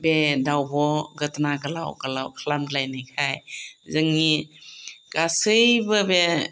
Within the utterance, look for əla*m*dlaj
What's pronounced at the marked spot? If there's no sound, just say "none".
m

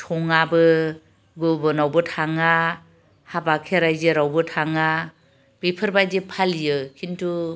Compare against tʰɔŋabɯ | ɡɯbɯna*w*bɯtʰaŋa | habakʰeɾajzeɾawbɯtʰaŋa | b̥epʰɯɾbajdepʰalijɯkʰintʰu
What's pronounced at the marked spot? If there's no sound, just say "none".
w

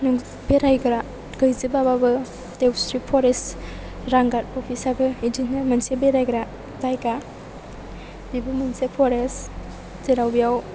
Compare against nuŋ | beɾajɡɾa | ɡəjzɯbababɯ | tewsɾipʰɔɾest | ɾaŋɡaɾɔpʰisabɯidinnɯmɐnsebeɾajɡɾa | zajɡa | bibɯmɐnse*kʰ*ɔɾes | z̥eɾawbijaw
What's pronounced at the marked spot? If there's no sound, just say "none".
pʰ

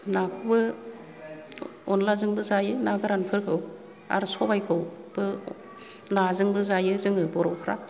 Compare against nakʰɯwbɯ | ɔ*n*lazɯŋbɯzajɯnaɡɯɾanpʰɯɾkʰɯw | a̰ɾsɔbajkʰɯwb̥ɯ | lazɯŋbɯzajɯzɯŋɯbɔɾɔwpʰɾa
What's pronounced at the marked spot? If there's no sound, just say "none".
n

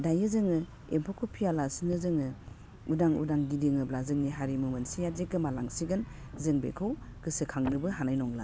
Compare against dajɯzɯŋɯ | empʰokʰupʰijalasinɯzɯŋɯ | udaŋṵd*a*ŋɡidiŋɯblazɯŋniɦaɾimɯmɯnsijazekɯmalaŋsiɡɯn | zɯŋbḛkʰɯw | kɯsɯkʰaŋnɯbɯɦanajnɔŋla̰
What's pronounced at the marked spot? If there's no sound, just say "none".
a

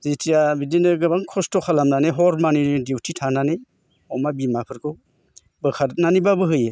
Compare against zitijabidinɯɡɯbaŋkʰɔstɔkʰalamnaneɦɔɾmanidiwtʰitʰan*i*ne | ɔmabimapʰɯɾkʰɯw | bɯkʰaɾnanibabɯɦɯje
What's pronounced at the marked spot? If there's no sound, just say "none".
a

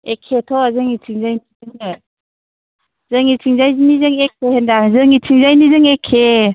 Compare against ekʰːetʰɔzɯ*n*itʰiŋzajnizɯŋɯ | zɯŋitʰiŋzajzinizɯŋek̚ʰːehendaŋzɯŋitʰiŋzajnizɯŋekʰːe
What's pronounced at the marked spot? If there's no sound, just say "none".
ŋ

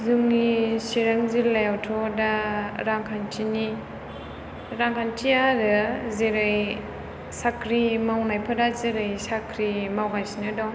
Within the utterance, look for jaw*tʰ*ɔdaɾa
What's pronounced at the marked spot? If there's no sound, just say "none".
tʰ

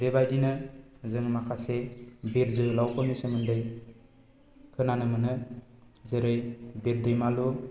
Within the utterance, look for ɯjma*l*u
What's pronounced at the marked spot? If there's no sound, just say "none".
l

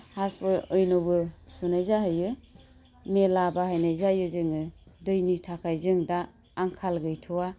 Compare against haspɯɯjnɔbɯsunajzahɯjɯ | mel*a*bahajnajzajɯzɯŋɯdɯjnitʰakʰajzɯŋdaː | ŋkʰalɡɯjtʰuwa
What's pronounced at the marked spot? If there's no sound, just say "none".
a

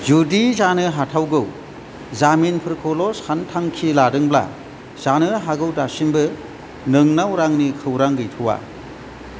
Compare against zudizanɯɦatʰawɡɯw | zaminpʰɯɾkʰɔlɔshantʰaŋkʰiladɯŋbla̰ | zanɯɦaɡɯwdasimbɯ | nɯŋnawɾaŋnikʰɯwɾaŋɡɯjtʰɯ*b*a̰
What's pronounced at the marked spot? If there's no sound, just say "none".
w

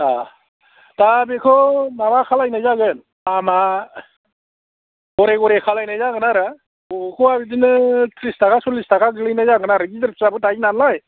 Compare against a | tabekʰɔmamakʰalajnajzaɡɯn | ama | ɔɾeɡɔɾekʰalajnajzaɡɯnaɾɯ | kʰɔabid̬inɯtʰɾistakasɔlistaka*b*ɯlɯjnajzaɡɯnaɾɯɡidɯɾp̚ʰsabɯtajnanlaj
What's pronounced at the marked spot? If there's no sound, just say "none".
ɡ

